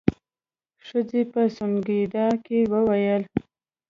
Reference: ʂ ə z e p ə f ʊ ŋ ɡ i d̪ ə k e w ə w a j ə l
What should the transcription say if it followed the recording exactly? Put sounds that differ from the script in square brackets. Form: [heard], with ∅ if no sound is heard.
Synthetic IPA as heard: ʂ ə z e p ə [s] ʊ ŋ ɡ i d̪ [ɑ] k e w ə w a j ə l